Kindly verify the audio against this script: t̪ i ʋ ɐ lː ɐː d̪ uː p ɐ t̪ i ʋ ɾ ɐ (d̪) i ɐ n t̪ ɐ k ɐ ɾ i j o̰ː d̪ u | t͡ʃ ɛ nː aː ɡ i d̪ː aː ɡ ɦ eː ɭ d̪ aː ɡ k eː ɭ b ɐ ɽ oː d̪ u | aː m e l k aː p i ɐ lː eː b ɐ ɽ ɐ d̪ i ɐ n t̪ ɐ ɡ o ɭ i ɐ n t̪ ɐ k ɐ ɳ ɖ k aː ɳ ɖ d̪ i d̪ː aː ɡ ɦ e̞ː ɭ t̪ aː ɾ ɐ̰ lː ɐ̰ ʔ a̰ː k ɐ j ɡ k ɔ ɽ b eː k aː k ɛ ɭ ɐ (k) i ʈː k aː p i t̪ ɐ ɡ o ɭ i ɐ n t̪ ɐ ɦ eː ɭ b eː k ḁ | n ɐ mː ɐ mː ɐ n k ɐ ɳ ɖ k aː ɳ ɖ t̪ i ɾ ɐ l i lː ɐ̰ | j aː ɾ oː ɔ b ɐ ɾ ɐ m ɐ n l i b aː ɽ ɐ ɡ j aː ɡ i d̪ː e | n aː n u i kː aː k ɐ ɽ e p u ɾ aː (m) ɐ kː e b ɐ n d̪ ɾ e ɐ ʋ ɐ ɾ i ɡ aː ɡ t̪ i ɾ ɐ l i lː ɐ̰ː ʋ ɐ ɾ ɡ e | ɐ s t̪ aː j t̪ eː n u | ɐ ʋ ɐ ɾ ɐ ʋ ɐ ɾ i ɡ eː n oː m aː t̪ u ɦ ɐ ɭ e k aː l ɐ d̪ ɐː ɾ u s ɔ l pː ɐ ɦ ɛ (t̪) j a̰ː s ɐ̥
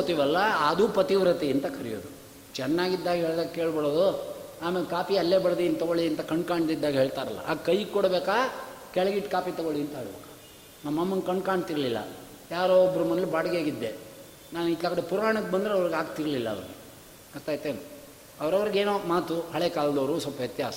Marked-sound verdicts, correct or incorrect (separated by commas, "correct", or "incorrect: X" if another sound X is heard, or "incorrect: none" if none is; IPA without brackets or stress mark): incorrect: t̪, incorrect: ɡ, incorrect: ɳ, correct